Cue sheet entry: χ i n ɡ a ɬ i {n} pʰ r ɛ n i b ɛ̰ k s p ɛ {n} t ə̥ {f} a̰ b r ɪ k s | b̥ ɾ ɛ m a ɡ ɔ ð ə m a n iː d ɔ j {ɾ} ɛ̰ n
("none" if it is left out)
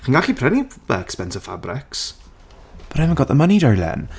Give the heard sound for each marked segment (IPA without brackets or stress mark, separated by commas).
none, n, f, l